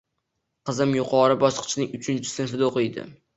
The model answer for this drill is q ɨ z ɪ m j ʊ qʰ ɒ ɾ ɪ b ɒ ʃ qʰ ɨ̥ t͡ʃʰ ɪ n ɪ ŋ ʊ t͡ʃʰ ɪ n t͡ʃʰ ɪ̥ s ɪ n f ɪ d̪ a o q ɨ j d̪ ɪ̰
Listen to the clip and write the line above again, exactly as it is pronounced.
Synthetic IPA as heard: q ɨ z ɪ m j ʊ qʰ ɒ ɾ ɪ b ɒ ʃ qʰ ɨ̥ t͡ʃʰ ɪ n ɪ ŋ ʊ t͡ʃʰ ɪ n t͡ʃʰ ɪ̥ s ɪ n f ɪ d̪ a o q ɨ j d̪ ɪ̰